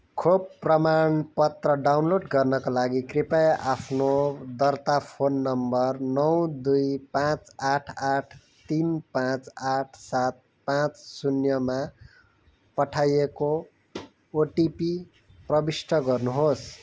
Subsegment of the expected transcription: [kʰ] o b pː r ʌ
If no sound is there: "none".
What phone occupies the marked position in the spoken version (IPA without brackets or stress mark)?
kʰ